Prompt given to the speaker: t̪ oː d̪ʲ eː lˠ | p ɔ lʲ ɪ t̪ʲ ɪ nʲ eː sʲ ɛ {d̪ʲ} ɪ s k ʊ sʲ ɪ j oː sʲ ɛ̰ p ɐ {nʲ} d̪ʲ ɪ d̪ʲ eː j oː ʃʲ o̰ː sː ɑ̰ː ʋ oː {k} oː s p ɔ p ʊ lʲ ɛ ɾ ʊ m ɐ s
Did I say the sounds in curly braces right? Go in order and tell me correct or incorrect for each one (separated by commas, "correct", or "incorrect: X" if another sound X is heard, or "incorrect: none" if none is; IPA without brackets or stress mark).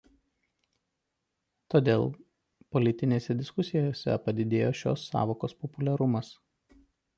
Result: correct, incorrect: none, correct